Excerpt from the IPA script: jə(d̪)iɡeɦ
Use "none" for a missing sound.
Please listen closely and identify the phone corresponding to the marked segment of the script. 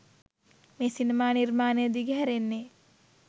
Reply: d̪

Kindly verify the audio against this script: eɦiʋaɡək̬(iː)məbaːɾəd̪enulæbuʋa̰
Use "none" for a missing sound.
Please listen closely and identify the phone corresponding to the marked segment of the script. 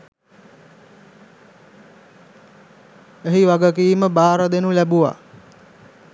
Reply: iː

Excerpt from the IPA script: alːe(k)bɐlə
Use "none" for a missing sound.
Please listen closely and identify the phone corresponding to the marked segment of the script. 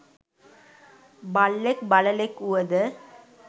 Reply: k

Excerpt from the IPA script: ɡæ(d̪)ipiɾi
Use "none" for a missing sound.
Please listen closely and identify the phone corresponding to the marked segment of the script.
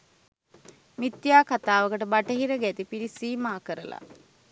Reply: t̪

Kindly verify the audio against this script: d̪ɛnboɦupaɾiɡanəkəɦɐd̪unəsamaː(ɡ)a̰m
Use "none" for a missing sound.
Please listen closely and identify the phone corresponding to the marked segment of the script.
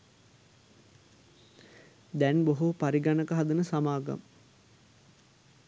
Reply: ɡ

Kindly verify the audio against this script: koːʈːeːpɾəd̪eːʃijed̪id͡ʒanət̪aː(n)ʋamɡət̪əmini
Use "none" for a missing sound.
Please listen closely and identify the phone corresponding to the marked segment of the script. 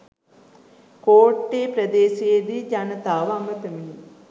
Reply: none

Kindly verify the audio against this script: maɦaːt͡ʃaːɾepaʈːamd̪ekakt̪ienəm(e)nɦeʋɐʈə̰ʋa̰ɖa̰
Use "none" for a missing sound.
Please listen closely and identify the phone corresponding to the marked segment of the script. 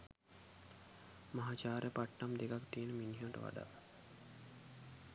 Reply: i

